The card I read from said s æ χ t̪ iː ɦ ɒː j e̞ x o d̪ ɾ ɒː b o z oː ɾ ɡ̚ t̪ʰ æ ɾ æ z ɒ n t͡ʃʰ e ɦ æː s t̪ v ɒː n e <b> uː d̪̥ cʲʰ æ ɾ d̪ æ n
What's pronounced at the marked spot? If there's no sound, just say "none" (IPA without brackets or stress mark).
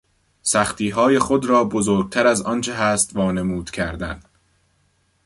m